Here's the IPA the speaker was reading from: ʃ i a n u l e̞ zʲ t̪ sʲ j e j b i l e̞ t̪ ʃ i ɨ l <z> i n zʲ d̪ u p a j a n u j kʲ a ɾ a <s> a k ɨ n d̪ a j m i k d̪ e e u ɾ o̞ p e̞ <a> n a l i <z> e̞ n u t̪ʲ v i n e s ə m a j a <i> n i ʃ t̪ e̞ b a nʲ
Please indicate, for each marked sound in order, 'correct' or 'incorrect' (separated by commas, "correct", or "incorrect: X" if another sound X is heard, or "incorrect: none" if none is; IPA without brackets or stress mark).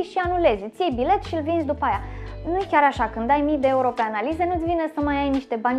incorrect: v, incorrect: ʃ, correct, correct, incorrect: j